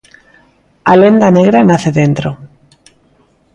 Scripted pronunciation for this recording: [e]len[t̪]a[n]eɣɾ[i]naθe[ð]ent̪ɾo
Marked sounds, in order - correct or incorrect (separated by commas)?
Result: incorrect, incorrect, correct, incorrect, correct